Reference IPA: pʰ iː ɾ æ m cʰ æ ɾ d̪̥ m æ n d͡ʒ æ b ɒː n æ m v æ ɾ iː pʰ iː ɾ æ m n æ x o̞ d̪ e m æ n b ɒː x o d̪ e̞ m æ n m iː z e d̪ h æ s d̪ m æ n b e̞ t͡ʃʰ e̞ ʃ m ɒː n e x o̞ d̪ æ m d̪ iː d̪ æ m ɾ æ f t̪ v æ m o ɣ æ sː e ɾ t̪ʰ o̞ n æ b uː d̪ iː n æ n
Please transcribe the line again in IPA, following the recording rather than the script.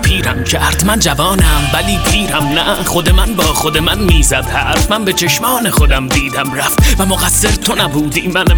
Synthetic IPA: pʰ iː ɾ æ m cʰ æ ɾ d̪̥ m æ n d͡ʒ æ v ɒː n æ m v æ l iː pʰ iː ɾ æ m n æ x o̞ d̪ e m æ n b ɒː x o d̪ e̞ m æ n m iː z æ d̪ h æ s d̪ m æ n b e̞ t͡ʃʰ e̞ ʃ m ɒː n e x o̞ d̪ æ m d̪ iː d̪ æ m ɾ æ f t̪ v æ m o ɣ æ sː e ɾ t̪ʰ o̞ n æ b uː d̪ iː m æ n